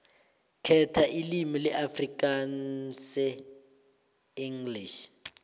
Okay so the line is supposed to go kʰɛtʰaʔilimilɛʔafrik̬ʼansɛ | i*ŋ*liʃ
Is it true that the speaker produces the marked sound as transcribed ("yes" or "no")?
yes